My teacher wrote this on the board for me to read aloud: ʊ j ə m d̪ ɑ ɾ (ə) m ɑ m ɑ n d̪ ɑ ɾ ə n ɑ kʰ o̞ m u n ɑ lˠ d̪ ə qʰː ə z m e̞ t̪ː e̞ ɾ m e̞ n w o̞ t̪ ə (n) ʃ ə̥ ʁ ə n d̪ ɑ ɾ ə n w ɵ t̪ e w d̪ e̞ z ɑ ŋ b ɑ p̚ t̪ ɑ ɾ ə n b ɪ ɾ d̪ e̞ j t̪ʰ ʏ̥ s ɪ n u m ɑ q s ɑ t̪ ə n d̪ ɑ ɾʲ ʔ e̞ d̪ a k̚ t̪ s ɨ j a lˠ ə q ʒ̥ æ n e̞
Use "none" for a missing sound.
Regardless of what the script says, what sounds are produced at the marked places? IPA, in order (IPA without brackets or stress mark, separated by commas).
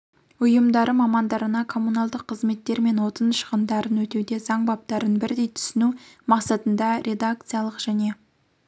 ə, n